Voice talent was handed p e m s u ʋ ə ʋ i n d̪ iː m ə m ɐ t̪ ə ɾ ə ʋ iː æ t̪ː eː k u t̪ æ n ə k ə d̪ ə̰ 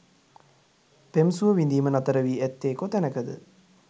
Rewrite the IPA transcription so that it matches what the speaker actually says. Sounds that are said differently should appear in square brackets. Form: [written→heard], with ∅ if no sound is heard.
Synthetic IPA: p e m s u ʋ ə ʋ i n d̪ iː m ə [m→n] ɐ t̪ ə ɾ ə ʋ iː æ t̪ː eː k [u→o] t̪ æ n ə k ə d̪ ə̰